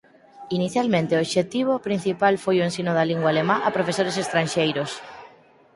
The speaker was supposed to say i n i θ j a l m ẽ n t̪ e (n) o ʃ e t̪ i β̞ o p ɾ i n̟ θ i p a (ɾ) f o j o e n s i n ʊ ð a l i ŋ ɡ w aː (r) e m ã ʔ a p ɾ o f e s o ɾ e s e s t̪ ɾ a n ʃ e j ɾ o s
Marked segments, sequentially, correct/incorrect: incorrect: none, incorrect: l, incorrect: l

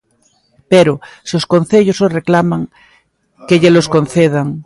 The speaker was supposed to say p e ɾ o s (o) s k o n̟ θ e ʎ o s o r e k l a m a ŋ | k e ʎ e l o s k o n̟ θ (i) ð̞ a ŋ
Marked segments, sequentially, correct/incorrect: correct, incorrect: e

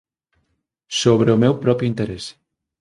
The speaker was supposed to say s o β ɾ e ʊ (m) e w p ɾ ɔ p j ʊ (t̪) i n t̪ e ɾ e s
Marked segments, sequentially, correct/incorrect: correct, incorrect: none

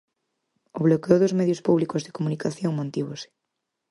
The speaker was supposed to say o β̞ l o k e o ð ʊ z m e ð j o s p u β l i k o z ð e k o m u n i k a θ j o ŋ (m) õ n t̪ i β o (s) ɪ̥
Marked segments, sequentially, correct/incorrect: correct, correct

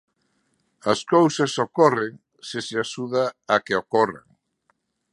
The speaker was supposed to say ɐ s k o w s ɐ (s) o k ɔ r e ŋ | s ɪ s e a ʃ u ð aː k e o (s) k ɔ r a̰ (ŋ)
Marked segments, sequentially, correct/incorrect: correct, incorrect: none, correct

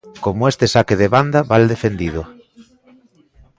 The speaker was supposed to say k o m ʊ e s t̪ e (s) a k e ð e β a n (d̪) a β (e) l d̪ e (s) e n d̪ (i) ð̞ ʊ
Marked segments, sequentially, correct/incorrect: correct, correct, incorrect: a, incorrect: f, correct

